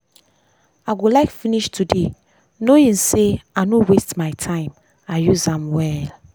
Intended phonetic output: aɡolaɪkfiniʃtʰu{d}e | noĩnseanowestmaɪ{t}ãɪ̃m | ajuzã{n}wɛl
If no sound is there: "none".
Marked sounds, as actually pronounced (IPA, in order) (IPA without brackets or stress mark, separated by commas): d, tʰ, m